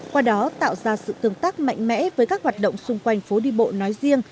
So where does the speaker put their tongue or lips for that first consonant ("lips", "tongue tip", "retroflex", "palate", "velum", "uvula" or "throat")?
velum